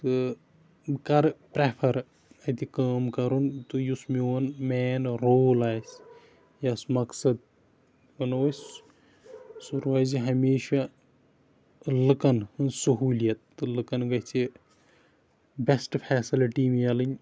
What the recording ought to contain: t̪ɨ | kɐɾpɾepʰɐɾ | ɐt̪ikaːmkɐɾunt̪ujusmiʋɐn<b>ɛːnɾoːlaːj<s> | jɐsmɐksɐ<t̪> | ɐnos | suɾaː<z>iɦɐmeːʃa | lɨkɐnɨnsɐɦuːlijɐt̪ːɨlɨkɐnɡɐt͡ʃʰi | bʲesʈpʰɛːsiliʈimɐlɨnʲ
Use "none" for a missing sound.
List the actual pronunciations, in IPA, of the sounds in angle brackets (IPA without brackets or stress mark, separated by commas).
m, s, d̪, z